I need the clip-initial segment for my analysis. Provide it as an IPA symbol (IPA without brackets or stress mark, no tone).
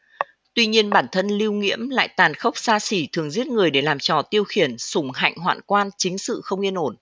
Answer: t̪